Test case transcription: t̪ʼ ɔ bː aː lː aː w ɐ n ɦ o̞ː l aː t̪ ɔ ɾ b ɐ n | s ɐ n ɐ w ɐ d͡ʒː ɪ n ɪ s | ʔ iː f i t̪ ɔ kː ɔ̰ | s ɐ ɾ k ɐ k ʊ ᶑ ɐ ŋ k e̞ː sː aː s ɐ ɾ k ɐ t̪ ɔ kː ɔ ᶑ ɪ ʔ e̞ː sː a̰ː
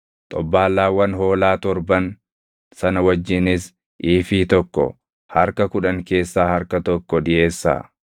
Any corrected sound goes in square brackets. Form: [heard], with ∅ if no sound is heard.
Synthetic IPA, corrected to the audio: t̪ʼ ɔ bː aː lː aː w ɐ n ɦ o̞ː l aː t̪ ɔ ɾ b ɐ n | s ɐ n ɐ w ɐ d͡ʒː ɪ n ɪ s | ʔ iː f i t̪ ɔ kː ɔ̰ | [h] ɐ ɾ k ɐ k ʊ ᶑ ɐ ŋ k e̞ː sː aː [h] ɐ ɾ k ɐ t̪ ɔ kː ɔ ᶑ ɪ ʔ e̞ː sː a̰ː